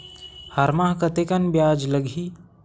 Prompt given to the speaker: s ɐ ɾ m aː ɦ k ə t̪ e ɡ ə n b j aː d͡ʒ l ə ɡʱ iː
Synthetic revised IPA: h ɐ ɾ m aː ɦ k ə t̪ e k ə n b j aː d͡ʒ l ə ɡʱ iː